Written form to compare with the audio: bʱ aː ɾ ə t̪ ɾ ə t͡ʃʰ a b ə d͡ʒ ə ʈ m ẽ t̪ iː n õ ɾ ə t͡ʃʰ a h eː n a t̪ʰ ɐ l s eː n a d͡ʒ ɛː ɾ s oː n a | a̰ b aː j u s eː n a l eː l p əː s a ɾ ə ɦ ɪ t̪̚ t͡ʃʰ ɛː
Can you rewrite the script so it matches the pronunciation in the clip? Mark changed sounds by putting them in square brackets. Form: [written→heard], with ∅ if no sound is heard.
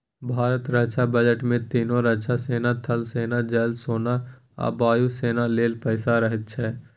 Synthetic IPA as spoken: bʱ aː ɾ ə t̪ ɾ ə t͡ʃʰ a b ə d͡ʒ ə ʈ m ẽ t̪ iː n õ ɾ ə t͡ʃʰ a [h→s] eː n a t̪ʰ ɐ l s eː n a d͡ʒ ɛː [ɾ→l] s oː n a | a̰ b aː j u s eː n a l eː l p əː s a ɾ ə ɦ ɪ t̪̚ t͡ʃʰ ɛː